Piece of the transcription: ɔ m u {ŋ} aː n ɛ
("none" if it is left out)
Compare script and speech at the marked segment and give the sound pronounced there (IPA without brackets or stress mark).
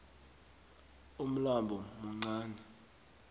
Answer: ŋ͡ǀ